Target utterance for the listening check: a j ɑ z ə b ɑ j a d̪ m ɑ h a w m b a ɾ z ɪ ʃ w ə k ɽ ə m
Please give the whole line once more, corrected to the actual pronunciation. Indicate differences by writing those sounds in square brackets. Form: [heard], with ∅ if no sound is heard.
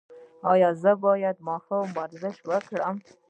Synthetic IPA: [ɑ] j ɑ z ə b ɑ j a d̪ m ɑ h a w m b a ɾ z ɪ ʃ w ə k ɽ ə m

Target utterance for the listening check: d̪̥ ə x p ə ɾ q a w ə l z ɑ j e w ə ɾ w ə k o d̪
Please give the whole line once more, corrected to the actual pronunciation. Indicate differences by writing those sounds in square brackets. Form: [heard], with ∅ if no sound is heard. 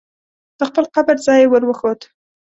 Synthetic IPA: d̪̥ ə x p ə [l] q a [b] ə [ɾ] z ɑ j e w ə ɾ w ə [x] o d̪

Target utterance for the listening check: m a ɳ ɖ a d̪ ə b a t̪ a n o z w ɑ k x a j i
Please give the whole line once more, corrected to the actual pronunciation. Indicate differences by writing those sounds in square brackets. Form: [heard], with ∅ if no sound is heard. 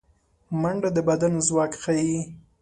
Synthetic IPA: m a ɳ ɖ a d̪ ə b a [d̪] a n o z w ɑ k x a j i

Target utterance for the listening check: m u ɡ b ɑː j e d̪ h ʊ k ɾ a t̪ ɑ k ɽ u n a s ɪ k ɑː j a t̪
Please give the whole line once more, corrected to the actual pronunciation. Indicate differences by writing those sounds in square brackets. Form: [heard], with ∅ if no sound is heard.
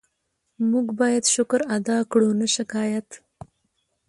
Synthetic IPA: m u ɡ b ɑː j [a] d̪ [ʃ] ʊ k ɾ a [d̪] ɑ k ɽ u n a [ʃ] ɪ k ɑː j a t̪

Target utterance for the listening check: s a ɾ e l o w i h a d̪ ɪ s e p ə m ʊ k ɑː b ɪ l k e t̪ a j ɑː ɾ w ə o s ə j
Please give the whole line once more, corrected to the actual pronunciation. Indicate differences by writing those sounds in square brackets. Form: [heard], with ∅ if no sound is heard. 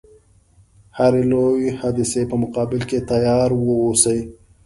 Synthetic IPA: [h] a ɾ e l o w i h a d̪ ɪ s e p ə m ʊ [q] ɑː b ɪ l k e t̪ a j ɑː ɾ w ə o s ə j

